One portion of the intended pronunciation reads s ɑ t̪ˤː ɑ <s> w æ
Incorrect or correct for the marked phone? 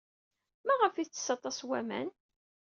correct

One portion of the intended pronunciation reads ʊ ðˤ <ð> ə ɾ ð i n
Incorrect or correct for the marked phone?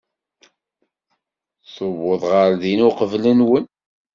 incorrect: ʁ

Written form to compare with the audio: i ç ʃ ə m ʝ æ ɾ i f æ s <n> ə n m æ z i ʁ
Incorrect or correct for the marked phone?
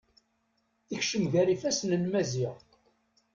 correct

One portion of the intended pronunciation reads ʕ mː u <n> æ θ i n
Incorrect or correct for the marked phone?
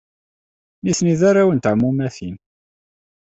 incorrect: m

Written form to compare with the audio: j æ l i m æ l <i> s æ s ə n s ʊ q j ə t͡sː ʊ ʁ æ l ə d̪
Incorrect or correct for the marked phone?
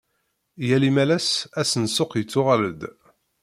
incorrect: æ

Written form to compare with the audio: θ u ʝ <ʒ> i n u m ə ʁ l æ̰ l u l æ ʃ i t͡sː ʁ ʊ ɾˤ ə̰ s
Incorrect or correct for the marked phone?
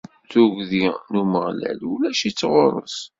incorrect: ð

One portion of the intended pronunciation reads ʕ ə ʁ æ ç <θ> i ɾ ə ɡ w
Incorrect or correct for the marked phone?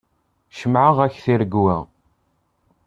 correct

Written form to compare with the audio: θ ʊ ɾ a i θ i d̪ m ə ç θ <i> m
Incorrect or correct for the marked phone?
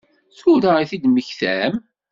incorrect: æ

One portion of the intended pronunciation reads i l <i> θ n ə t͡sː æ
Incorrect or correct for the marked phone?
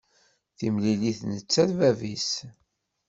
correct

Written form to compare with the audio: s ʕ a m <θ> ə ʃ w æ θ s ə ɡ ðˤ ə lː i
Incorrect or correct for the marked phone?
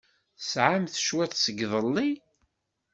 correct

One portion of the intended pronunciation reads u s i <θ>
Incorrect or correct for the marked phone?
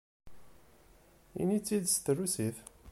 correct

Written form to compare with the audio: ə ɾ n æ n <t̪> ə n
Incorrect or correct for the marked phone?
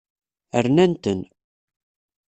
correct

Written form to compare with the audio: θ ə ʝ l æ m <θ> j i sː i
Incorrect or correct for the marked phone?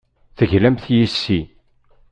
correct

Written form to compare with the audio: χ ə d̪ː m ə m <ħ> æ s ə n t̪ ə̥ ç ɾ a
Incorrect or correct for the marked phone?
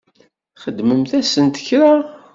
incorrect: θ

